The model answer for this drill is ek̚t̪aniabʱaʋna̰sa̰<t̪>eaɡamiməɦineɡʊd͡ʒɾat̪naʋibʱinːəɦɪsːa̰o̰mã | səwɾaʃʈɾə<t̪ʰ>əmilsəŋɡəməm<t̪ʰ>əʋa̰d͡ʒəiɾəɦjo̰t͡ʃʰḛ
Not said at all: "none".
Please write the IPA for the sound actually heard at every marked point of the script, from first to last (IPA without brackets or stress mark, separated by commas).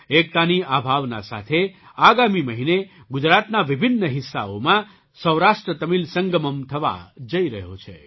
t̪ʰ, t̪, t̪ʰ